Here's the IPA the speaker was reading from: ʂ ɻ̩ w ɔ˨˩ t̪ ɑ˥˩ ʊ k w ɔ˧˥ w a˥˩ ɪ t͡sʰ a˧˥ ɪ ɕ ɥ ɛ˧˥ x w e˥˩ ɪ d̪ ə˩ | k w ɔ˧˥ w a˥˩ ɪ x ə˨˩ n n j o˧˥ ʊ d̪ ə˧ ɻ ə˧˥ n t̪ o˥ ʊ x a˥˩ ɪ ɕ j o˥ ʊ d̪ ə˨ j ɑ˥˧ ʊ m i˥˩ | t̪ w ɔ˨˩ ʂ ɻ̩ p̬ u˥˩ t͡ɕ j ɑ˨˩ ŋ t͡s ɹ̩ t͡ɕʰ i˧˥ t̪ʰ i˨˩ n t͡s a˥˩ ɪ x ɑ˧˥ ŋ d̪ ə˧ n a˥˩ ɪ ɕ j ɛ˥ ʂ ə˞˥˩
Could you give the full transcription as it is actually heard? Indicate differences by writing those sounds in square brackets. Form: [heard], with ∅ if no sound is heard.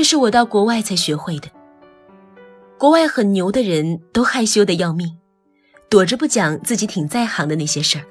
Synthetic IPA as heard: ʂ ɻ̩ w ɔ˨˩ t̪ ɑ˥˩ ʊ k w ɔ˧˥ w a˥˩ ɪ t͡sʰ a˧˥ ɪ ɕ ɥ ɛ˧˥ x w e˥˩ ɪ d̪ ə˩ | k w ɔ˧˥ w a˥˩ ɪ x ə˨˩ n n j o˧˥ ʊ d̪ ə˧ ɻ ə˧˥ n t̪ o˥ ʊ x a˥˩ ɪ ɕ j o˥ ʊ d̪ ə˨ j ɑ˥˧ ʊ m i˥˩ | t̪ w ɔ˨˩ [ʈ͡ʂ] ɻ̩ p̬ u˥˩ t͡ɕ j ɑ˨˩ ŋ t͡s ɹ̩ [t͡ɕ] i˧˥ t̪ʰ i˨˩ [ŋ] t͡s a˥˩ ɪ x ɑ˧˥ ŋ d̪ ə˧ n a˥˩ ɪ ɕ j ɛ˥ ʂ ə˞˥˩